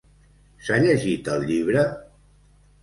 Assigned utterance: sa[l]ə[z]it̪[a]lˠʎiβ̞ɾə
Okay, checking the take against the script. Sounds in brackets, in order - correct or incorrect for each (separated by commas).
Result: incorrect, incorrect, incorrect